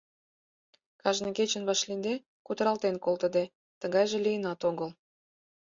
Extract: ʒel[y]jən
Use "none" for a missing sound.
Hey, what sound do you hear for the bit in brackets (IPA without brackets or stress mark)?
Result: i